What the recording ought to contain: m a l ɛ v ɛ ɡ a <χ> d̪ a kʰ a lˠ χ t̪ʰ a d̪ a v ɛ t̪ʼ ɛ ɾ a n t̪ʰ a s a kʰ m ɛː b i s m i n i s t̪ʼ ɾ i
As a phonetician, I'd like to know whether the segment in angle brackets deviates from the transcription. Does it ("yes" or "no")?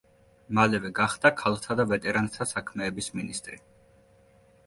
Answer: no